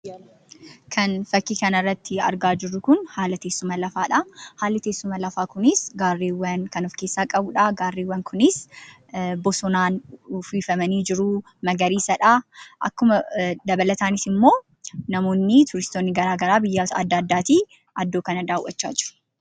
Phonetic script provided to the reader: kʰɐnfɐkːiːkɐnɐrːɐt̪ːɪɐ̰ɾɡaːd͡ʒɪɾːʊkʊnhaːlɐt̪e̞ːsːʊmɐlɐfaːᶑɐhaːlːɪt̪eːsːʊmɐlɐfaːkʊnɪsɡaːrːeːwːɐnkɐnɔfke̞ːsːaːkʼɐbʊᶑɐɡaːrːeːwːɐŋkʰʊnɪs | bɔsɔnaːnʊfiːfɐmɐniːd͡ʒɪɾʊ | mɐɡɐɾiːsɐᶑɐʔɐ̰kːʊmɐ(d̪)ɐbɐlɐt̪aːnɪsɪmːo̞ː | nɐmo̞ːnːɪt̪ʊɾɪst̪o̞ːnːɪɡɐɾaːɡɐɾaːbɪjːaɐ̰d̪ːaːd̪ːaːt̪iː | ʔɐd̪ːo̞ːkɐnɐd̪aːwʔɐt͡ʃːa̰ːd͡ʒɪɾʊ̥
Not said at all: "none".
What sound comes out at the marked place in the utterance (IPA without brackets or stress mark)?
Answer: d̪